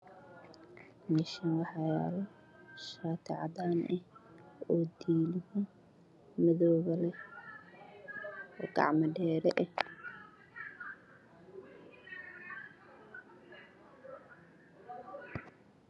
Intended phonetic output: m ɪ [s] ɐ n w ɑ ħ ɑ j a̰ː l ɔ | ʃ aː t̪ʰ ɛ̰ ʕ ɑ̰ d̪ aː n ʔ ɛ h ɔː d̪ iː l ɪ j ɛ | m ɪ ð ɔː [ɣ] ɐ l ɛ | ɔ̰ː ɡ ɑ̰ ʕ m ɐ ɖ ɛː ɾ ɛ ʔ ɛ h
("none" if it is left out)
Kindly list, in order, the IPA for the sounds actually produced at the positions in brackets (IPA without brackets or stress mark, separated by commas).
ʃ, ɣ